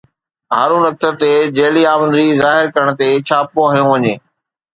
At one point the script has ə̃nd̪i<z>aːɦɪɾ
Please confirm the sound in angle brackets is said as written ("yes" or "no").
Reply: yes